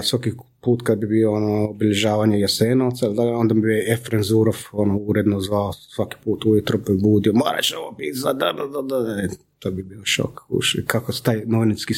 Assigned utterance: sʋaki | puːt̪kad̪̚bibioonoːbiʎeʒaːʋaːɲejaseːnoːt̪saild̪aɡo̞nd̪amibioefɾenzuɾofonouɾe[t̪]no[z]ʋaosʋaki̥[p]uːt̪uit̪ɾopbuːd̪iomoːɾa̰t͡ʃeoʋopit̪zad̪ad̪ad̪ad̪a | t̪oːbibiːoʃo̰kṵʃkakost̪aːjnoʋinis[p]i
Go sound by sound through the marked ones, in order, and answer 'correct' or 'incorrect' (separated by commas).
incorrect, correct, correct, incorrect